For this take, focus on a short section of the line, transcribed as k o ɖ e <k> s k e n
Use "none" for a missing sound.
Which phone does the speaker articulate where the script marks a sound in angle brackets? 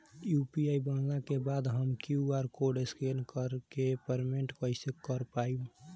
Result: none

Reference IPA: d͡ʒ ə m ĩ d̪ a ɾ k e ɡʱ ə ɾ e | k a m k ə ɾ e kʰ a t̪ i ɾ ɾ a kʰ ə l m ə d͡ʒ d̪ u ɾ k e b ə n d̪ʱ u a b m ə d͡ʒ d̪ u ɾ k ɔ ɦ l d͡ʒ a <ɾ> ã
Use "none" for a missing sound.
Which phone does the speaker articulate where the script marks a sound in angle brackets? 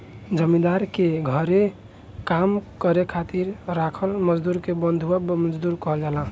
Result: l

